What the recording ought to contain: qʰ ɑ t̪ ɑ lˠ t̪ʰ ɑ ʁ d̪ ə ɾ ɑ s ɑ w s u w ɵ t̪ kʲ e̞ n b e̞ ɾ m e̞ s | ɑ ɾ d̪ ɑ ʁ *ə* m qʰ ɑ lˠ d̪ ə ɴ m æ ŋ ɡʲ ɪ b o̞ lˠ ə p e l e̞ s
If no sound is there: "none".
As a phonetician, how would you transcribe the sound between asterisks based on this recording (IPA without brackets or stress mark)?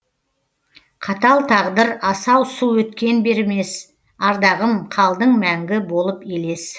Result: ə